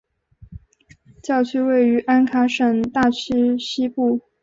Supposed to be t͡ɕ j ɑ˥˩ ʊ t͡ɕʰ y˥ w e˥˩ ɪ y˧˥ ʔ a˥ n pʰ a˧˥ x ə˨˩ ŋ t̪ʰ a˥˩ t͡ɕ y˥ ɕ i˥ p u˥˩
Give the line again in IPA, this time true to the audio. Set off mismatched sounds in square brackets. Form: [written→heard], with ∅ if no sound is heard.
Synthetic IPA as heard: t͡ɕ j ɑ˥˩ ʊ t͡ɕʰ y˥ w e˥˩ ɪ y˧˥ ʔ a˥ n [pʰ→kʰ] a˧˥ [x→ʂ] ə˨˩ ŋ [t̪ʰ→t̪] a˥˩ [t͡ɕ→t͡ɕʰ] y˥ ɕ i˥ p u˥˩